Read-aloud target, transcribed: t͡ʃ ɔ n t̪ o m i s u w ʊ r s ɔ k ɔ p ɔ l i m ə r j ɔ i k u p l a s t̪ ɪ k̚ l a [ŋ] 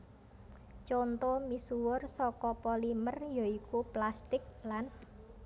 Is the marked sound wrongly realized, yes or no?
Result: yes